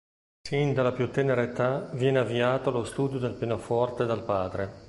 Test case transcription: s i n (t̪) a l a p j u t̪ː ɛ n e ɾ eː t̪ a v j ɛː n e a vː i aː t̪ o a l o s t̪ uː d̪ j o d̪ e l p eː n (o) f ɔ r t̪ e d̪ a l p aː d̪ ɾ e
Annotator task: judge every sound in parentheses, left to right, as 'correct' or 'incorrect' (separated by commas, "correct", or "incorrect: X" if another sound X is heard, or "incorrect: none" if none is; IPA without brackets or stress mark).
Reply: incorrect: d̪, correct